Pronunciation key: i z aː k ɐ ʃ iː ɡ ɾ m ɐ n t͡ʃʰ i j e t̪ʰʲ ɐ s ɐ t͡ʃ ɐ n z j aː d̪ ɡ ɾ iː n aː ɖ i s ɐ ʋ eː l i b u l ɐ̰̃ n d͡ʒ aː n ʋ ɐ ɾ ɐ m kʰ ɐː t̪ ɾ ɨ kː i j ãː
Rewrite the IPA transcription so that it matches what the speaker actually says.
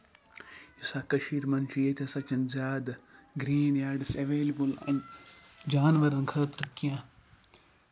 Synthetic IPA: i s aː k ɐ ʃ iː ɾ m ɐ n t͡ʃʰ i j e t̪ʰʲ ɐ s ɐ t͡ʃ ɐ n z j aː d̪ ɡ ɾ iː n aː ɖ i s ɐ ʋ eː l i b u l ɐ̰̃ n d͡ʒ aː n ʋ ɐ ɾ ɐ n kʰ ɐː t̪ ɾ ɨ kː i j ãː

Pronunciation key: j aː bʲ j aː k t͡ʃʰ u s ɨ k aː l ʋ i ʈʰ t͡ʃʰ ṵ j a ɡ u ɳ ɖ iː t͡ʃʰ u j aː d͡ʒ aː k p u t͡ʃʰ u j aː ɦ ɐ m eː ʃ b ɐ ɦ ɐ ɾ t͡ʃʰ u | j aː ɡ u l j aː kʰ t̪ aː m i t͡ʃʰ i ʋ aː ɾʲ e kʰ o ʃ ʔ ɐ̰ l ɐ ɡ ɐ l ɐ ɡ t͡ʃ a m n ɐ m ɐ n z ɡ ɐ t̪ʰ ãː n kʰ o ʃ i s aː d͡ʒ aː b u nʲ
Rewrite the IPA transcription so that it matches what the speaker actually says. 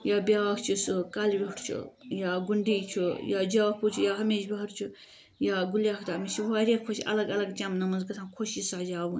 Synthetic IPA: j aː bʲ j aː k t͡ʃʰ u s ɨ k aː l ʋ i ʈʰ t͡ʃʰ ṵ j a ɡ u ɳ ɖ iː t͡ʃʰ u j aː d͡ʒ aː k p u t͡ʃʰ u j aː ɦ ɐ m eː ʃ b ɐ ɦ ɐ ɾ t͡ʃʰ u | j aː ɡ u l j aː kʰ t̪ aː m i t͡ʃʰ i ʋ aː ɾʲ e kʰ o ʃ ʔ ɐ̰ l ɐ ɡ ɐ l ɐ ɡ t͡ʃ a m n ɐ m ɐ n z ɡ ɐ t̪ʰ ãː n kʰ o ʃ i s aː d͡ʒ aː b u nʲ

